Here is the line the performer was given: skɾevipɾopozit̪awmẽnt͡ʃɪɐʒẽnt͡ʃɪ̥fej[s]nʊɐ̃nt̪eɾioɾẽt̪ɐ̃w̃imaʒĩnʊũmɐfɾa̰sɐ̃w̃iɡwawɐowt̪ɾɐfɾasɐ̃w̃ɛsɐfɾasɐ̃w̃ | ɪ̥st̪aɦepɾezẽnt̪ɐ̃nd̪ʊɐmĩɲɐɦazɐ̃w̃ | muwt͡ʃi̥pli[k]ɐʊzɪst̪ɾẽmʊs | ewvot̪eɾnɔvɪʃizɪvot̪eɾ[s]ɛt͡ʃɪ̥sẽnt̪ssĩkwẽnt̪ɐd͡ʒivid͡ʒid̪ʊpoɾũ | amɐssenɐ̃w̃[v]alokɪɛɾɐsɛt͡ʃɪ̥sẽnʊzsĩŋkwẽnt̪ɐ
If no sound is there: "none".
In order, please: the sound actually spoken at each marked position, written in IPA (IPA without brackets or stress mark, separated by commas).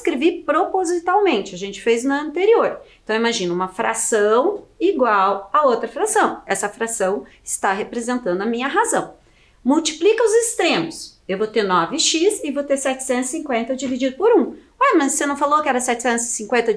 z, k, s, f